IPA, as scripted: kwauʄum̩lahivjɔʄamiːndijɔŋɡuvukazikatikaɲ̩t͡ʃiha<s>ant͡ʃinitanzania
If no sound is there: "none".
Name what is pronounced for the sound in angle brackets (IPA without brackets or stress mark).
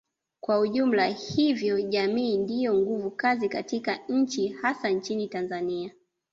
s